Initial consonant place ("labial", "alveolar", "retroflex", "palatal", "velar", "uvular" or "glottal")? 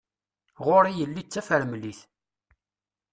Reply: uvular